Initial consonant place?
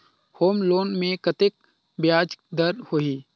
glottal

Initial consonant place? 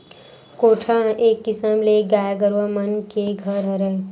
velar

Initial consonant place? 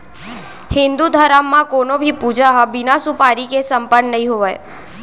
glottal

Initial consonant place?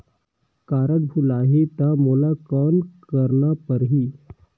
velar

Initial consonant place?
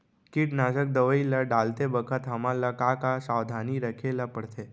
velar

